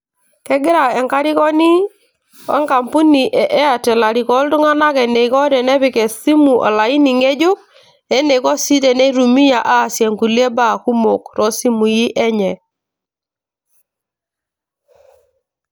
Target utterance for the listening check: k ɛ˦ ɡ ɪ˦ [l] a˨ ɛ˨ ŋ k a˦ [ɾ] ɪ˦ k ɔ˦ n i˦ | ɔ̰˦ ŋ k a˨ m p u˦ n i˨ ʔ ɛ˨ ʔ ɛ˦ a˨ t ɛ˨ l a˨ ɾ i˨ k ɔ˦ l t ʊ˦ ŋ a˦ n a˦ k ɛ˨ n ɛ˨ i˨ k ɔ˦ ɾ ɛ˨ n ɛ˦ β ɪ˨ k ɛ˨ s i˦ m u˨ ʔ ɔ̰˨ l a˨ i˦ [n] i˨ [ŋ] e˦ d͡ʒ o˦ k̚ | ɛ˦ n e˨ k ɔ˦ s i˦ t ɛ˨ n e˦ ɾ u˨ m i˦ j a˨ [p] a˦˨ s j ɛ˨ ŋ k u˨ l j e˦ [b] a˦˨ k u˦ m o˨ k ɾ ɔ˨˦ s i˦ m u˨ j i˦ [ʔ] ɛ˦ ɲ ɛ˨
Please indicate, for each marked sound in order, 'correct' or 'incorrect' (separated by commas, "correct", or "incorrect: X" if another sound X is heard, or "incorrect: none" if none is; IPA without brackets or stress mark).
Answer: incorrect: ɾ, correct, correct, correct, incorrect: ʔ, correct, correct